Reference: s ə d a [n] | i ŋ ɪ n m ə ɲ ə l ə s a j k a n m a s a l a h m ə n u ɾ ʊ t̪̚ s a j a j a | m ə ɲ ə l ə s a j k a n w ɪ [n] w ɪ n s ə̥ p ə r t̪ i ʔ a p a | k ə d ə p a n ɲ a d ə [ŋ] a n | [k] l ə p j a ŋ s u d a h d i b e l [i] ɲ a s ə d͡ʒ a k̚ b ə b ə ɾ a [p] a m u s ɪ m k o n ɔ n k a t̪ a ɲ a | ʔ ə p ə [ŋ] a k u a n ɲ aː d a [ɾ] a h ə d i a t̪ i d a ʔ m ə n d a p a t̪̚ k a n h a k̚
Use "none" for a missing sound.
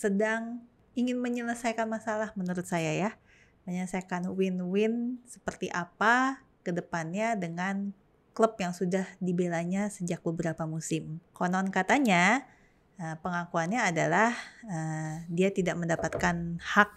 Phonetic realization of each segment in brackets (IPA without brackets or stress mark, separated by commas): ŋ, n, ŋ, k, a, p, ŋ, l